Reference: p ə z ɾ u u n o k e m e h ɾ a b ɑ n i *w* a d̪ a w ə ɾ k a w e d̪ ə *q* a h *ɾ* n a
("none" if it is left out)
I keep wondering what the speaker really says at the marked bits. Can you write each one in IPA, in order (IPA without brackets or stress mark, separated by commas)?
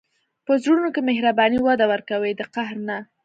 w, q, ɾ